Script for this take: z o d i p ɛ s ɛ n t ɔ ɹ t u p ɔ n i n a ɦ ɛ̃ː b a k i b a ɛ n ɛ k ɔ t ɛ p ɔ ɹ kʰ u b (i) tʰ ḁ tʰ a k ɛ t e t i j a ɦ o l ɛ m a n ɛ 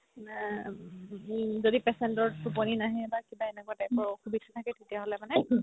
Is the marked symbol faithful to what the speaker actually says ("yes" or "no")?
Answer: yes